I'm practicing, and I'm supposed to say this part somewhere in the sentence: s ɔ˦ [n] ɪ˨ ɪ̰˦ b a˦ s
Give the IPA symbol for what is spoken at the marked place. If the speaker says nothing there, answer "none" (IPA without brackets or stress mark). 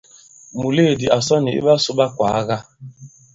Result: n